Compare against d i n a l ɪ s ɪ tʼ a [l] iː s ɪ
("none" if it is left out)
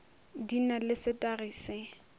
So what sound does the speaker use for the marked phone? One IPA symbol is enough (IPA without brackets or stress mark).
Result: r